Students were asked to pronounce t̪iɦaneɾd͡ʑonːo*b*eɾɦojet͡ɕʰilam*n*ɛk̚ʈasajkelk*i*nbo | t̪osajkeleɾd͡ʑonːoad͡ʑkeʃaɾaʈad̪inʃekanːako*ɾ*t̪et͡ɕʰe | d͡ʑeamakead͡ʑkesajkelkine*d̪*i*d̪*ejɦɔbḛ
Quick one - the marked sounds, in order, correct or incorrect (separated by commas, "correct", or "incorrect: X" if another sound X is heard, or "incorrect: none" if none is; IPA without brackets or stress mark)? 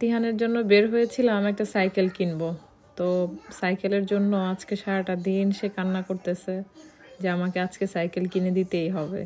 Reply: correct, incorrect: m, correct, correct, correct, incorrect: t̪